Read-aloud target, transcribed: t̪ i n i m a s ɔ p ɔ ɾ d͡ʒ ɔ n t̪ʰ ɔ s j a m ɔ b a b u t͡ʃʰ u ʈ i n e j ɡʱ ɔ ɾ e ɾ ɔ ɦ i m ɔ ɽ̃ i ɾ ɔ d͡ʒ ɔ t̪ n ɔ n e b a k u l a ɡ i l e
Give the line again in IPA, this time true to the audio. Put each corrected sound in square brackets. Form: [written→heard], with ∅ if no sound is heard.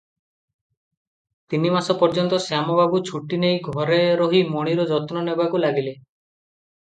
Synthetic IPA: t̪ i n i m a s ɔ p ɔ ɾ d͡ʒ ɔ n [t̪ʰ→t̪] ɔ s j a m ɔ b a b u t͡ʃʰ u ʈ i n e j ɡʱ ɔ ɾ e ɾ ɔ ɦ i m ɔ ɽ̃ i ɾ ɔ d͡ʒ ɔ t̪ n ɔ n e b a k u l a ɡ i l e